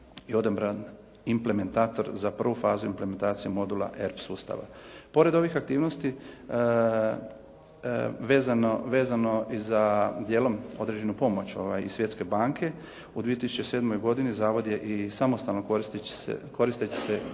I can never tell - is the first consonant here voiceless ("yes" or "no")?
no